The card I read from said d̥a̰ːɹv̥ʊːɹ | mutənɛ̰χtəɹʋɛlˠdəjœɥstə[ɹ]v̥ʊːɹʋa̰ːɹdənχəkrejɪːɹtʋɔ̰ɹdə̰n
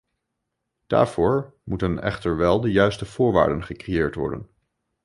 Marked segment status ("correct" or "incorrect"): incorrect